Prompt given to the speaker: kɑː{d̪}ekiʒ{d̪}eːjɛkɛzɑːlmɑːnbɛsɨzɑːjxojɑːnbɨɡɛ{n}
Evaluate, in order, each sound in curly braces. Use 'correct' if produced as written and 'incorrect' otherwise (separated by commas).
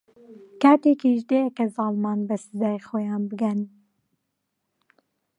incorrect, correct, correct